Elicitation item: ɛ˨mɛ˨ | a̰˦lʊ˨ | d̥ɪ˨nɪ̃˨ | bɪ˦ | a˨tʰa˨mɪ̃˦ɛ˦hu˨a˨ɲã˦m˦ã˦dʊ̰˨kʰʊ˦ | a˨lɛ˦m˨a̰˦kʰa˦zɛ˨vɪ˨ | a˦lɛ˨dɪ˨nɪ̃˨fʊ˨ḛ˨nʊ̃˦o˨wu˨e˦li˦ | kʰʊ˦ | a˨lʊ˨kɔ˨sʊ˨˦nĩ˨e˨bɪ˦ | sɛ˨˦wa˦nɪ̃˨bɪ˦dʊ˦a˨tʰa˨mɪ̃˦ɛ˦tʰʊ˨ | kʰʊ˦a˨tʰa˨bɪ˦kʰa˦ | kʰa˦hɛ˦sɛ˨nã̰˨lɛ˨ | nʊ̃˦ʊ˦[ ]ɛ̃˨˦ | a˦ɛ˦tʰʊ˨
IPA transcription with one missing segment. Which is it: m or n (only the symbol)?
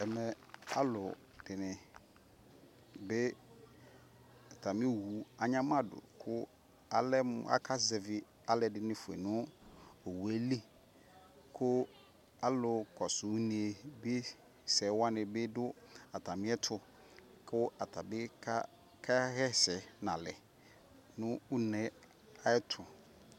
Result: n